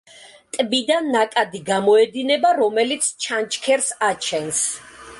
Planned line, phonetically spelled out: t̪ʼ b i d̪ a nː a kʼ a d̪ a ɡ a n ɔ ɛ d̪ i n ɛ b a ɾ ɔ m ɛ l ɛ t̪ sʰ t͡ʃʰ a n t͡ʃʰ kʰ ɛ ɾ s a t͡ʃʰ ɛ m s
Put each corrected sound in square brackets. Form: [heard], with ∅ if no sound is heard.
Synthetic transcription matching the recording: t̪ʼ b i d̪ a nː a kʼ a d̪ [i] ɡ a [m] ɔ ɛ d̪ i n ɛ b a ɾ ɔ m ɛ l [i] t̪ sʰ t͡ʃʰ a n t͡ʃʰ kʰ ɛ ɾ s a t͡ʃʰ ɛ [n] s